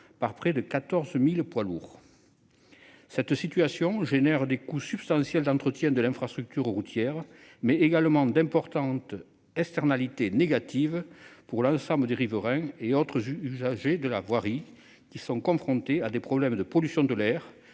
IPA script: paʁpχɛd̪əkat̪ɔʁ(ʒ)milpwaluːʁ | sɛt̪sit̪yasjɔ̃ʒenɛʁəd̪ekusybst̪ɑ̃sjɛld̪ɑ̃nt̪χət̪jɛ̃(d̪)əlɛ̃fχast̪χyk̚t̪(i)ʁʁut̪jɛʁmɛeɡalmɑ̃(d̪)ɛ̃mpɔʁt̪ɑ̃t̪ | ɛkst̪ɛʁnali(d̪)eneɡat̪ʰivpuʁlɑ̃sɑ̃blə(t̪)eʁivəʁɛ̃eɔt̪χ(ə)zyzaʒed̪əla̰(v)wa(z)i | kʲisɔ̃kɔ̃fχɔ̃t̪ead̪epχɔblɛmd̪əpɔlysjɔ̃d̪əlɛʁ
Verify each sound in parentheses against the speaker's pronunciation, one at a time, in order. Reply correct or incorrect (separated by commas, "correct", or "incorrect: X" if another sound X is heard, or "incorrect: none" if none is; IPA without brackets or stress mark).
incorrect: z, correct, incorrect: y, correct, incorrect: t̪, incorrect: d̪, correct, correct, incorrect: ʁ